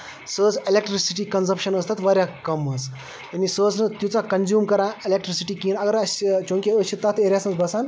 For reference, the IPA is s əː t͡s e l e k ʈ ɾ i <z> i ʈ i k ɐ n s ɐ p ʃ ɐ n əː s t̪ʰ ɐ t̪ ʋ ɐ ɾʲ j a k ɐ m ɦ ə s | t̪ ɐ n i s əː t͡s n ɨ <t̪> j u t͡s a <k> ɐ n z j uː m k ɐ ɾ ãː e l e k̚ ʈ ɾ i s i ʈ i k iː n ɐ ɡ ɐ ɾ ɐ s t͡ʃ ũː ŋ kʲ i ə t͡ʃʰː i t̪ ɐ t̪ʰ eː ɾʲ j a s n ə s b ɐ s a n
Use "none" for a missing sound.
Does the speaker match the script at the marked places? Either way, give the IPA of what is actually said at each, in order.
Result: s, t̪, k

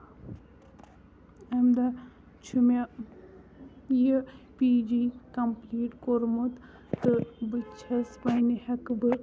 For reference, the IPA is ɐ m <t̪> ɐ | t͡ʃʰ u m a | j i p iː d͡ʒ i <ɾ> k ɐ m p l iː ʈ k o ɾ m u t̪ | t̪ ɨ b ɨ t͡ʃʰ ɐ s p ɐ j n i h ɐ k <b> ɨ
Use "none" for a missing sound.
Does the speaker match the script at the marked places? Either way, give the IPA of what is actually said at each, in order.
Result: d̪, none, b

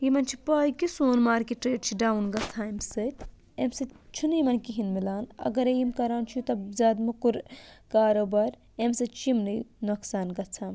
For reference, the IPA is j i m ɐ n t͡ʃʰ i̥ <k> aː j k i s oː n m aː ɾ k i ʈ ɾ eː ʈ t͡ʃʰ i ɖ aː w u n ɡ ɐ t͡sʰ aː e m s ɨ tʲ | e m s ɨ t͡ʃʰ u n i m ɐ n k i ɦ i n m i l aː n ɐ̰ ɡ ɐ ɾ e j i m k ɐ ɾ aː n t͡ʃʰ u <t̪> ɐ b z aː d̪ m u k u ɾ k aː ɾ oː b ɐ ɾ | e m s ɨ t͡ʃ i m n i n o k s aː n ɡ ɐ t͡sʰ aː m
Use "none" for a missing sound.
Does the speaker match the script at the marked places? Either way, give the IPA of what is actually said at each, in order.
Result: p, t̪

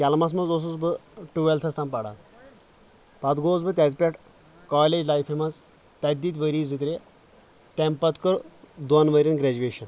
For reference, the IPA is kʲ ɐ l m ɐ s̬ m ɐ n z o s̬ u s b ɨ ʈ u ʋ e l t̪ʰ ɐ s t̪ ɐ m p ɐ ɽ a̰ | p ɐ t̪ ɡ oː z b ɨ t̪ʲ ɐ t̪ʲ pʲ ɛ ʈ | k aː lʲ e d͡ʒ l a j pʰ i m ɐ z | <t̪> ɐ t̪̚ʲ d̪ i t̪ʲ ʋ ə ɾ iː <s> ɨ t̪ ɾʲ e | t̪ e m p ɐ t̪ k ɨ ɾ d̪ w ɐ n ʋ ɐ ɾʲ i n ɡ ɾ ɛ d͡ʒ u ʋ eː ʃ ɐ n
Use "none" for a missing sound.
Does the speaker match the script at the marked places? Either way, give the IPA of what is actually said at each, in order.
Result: t̪, z

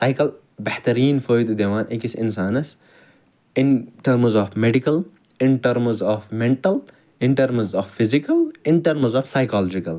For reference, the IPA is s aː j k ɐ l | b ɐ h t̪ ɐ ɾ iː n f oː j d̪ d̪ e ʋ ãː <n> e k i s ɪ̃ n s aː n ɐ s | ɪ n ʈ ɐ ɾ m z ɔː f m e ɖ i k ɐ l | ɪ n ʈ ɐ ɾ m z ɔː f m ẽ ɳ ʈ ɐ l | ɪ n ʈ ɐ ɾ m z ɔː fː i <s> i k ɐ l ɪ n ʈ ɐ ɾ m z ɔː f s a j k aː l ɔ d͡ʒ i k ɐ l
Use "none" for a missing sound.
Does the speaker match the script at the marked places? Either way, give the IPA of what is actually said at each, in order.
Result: n, z

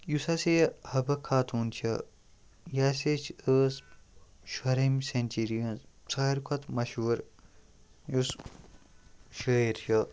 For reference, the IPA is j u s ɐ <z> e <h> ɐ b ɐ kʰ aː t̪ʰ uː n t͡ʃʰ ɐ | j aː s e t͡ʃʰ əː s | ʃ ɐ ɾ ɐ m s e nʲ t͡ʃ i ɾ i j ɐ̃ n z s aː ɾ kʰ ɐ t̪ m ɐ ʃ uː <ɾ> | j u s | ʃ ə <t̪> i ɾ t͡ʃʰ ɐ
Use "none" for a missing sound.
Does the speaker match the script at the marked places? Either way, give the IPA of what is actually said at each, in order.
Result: s, h, ɾ, none

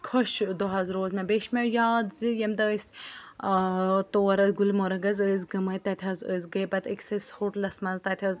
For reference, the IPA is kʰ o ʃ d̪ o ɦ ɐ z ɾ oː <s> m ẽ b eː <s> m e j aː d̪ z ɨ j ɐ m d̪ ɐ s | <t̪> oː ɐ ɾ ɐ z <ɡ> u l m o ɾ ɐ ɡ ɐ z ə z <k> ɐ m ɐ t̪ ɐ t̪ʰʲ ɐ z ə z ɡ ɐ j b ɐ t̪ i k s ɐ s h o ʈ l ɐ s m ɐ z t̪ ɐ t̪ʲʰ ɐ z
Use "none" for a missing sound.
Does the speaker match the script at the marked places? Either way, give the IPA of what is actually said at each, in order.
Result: z, ʃ, t̪, ɡ, ɡ

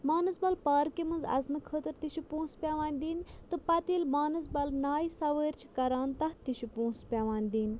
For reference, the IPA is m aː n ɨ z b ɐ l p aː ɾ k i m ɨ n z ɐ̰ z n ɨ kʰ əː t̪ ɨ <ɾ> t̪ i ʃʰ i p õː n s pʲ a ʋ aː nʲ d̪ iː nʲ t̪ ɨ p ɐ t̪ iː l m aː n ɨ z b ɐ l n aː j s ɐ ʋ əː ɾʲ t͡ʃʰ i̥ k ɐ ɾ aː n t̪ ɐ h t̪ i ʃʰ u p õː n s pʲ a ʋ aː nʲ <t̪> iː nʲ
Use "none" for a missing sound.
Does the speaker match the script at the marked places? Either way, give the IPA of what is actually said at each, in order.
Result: ɾ, d̪

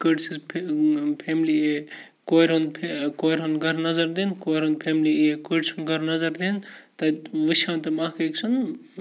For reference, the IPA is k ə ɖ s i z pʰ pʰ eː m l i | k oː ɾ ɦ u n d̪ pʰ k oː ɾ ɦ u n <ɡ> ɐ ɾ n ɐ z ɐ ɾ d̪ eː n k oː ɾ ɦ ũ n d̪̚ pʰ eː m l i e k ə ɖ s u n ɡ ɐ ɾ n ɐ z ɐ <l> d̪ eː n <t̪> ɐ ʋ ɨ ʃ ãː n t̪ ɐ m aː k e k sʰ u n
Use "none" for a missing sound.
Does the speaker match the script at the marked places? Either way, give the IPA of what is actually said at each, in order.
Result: ɡ, ɾ, t̪

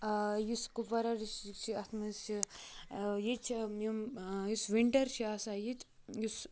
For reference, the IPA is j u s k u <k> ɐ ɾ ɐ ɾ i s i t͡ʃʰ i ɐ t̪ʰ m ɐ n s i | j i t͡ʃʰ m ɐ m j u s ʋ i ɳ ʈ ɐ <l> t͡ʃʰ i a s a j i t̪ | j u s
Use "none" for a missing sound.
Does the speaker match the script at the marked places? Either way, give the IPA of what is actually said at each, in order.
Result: p, ɾ

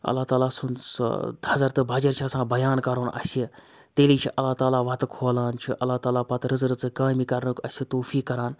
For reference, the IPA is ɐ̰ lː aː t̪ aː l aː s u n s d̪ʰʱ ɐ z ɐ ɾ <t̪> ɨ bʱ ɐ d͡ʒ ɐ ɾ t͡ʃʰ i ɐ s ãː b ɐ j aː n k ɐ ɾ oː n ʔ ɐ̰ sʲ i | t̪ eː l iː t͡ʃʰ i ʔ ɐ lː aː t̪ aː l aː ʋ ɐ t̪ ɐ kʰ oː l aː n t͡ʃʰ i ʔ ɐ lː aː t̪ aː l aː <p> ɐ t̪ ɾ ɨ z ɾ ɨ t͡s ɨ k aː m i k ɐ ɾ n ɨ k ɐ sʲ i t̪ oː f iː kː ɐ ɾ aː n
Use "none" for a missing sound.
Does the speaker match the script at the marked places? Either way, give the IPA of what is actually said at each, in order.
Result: t̪, p

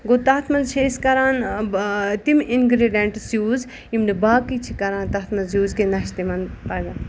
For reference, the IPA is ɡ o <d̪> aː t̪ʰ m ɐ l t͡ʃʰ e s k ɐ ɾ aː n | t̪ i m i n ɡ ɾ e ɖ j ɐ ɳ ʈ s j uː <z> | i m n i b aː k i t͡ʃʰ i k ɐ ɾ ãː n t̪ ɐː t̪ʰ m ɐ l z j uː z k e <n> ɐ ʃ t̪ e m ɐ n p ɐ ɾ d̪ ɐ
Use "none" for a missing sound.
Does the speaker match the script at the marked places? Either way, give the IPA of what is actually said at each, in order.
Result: t̪, z, n

